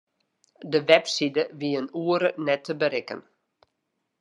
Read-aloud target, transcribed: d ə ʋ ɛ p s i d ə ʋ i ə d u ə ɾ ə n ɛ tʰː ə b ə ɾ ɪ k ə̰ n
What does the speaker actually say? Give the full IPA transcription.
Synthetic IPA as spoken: d ə ʋ ɛ p s i d ə ʋ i ə n u ə ɾ ə n ɛ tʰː ə b ə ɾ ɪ k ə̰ n